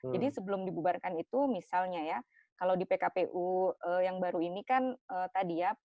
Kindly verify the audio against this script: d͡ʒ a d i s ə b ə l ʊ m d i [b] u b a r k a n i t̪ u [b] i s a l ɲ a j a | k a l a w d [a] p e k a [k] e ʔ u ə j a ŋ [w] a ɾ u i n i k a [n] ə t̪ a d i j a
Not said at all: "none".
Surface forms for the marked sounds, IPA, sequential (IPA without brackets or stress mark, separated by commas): b, m, i, p, b, n